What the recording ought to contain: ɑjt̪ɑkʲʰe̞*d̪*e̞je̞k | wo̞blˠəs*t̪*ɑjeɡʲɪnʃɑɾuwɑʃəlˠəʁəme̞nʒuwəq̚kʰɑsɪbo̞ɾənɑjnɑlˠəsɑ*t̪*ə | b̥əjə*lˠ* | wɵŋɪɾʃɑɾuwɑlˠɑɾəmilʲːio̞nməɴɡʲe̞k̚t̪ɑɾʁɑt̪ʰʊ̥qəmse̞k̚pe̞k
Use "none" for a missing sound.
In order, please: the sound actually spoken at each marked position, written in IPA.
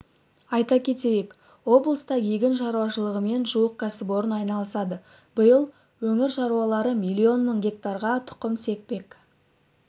t̪, t̪, d̪, lˠ

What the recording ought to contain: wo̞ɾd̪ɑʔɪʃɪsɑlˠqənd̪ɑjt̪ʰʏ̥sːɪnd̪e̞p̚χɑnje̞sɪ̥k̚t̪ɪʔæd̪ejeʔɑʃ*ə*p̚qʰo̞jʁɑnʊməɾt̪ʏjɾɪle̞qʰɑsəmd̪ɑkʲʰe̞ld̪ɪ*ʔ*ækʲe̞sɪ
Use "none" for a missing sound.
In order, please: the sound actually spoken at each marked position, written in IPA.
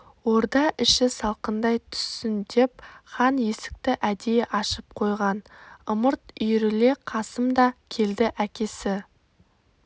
ə, ʔ

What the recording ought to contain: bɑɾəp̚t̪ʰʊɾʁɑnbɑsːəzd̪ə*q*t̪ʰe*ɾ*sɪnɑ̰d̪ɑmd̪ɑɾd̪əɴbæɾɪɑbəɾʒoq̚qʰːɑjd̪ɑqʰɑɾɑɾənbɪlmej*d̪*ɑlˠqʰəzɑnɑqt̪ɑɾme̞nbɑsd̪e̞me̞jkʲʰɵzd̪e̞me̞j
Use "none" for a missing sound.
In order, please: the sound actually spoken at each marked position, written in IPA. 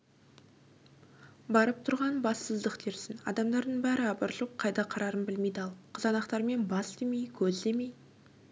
q, ɾ, d̪

